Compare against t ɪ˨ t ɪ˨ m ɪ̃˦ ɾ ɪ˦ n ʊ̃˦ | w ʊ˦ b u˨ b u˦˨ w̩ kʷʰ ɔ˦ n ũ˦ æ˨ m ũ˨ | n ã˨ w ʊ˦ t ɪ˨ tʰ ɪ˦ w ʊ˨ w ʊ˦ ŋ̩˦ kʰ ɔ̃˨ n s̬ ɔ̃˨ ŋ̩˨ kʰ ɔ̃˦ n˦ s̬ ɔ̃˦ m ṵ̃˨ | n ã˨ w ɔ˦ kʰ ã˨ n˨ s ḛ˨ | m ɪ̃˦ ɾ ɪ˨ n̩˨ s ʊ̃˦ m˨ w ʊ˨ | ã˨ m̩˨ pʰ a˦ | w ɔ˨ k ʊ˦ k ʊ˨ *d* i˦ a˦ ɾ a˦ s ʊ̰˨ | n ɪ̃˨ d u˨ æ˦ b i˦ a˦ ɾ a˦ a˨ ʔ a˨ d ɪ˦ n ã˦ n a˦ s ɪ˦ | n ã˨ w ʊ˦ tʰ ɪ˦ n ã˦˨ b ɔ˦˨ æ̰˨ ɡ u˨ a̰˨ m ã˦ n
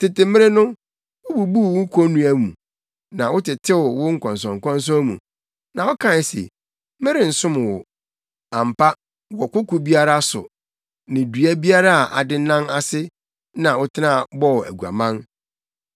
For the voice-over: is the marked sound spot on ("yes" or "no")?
no